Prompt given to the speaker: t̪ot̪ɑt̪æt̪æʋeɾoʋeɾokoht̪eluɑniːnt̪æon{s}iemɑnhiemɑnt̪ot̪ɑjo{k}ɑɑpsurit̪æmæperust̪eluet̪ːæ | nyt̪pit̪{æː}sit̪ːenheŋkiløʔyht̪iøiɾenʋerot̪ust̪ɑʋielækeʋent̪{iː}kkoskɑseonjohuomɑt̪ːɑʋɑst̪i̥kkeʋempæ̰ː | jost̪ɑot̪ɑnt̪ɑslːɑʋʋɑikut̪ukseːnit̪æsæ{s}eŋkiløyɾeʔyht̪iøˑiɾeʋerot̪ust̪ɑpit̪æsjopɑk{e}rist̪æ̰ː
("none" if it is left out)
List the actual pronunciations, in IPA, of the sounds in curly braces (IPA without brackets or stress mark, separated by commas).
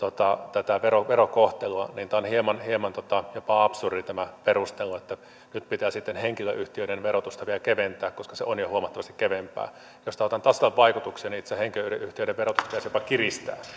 h, p, æː, æː, h, i